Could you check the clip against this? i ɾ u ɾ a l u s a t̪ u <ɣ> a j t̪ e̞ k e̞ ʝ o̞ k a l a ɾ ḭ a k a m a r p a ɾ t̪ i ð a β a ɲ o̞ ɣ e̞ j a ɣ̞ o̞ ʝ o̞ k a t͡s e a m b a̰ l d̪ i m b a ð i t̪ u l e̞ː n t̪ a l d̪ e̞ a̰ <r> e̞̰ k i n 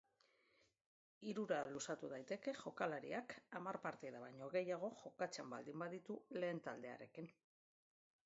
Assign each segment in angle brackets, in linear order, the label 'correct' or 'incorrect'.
incorrect, incorrect

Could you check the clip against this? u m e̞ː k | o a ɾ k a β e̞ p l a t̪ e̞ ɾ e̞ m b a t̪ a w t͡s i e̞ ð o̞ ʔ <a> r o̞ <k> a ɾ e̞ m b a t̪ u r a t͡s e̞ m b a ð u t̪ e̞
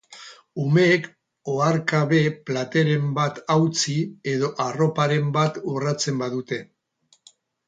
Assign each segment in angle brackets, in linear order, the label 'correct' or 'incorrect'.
correct, incorrect

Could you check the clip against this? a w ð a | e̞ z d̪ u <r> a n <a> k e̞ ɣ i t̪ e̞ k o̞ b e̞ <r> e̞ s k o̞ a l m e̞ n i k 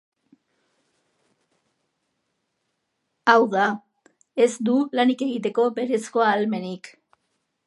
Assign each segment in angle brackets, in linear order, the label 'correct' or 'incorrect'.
incorrect, incorrect, incorrect

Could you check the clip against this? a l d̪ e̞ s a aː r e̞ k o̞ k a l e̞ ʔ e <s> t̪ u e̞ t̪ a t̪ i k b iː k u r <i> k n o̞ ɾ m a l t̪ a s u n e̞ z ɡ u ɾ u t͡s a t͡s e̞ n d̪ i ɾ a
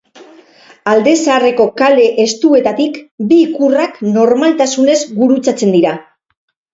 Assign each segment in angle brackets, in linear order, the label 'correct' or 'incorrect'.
correct, incorrect

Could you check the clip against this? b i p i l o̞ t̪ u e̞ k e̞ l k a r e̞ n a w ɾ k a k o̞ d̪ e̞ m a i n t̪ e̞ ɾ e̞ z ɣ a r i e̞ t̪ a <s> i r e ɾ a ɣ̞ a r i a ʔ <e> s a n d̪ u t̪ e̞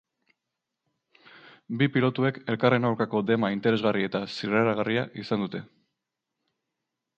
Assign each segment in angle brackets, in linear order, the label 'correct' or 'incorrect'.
correct, incorrect

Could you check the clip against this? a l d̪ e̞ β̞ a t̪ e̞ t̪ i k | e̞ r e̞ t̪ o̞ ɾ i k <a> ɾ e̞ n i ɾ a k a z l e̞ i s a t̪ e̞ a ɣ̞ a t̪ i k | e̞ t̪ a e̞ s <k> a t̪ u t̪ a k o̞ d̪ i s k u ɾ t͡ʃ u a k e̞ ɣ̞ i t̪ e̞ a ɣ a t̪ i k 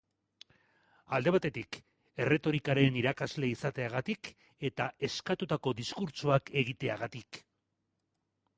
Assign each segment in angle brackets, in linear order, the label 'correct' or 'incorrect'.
correct, correct

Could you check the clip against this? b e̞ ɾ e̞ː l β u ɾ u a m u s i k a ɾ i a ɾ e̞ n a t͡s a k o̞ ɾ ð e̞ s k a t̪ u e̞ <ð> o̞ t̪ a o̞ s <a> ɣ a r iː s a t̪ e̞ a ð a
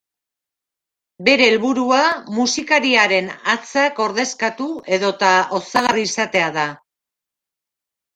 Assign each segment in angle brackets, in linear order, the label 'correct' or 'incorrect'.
correct, correct

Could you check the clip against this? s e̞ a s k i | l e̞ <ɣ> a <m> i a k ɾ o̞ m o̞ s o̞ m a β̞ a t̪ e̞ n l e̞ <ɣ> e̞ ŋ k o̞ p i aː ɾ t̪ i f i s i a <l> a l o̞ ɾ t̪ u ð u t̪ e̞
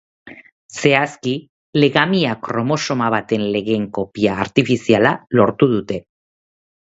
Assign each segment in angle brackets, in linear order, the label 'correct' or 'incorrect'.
correct, correct, correct, correct

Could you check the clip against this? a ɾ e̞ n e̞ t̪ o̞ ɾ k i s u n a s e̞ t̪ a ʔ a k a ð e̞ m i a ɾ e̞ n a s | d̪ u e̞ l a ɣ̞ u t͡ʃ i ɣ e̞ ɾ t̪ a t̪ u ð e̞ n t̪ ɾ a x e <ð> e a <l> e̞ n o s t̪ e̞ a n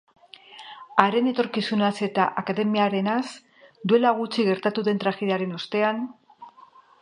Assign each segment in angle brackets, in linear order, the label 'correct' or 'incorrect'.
correct, incorrect

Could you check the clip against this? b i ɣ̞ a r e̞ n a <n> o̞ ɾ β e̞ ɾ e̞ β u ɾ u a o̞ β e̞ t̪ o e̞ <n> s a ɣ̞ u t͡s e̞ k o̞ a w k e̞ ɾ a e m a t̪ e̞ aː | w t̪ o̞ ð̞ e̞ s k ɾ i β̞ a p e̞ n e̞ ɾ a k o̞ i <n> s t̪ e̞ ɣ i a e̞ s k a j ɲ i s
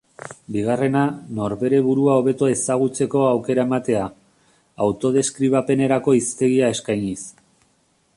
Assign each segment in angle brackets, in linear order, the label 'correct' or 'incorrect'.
correct, incorrect, incorrect

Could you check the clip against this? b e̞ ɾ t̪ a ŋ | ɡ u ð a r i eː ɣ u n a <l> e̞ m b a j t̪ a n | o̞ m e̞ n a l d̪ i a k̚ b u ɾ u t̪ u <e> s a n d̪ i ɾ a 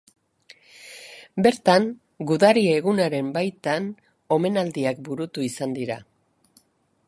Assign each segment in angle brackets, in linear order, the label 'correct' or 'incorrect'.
incorrect, incorrect

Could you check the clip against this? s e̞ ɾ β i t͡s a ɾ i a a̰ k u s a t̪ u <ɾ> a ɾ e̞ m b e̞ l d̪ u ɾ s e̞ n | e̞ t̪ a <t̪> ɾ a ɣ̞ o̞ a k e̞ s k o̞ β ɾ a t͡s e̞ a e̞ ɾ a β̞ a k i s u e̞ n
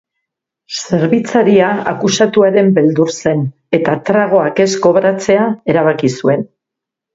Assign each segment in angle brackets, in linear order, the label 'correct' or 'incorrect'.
incorrect, correct

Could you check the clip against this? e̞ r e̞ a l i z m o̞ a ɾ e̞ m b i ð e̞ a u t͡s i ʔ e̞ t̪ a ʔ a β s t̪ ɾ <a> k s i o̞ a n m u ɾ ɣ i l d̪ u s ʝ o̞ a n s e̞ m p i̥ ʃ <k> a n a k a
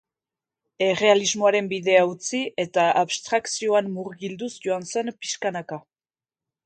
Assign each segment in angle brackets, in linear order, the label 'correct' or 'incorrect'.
correct, correct

